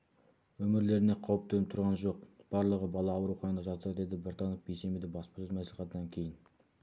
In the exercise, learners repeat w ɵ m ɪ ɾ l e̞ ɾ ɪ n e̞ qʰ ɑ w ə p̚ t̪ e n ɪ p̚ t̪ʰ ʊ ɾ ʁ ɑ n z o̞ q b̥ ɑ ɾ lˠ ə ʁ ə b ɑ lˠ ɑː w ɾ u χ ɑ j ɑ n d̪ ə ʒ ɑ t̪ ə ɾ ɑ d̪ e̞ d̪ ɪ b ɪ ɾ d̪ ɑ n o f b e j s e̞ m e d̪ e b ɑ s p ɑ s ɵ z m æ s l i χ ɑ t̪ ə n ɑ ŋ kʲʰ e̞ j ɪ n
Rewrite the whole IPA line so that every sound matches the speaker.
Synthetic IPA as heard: w ɵ m ɪ ɾ l e̞ ɾ ɪ n e̞ qʰ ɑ w ə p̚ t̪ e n ɪ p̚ t̪ʰ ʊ ɾ ʁ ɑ n ʒ o̞ q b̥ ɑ ɾ lˠ ə ʁ ə b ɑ lˠ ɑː w ɾ u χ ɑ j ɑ n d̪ ɑ ʒ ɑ t̪ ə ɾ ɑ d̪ e̞ d̪ ɪ b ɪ ɾ t̪ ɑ n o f b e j s e̞ m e d̪ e b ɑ s p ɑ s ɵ z m æ s l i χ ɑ t̪ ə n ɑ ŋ kʲʰ e̞ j ɪ n